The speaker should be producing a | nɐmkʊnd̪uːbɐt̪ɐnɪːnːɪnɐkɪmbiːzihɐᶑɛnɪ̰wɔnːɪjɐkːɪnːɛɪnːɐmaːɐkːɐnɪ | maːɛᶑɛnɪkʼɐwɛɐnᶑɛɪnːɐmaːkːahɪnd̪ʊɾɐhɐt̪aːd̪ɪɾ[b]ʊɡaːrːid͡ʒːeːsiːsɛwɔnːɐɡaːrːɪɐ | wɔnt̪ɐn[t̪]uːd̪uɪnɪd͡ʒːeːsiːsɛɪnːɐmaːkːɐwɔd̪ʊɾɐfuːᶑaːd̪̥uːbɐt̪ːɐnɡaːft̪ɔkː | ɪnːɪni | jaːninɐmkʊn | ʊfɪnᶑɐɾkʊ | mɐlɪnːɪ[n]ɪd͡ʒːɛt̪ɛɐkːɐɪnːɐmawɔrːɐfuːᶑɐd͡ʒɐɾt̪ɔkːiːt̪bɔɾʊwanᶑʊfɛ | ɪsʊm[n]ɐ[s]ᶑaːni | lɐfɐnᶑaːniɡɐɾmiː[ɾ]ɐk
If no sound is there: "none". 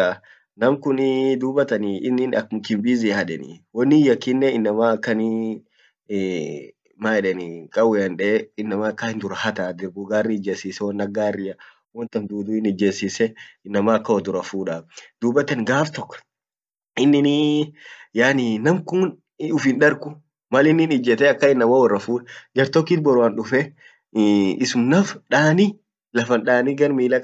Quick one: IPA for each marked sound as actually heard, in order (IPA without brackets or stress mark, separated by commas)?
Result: b, d̪, n, n, f, l